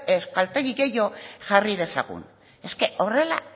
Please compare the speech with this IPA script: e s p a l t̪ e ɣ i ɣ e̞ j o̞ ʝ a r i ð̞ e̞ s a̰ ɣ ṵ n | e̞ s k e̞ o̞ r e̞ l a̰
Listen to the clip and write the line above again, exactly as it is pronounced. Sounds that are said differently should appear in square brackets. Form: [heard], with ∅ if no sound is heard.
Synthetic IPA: e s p a l t̪ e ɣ i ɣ e̞ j o̞ ʝ a r i ð̞ e̞ s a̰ ɣ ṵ n | e̞ s k e̞ o̞ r e̞ l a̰